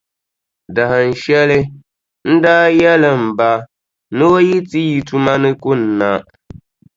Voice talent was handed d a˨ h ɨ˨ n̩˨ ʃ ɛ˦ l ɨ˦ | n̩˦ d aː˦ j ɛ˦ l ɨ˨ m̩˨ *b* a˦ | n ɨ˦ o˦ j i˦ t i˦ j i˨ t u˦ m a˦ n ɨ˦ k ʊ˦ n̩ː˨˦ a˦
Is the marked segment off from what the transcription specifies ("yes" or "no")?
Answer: no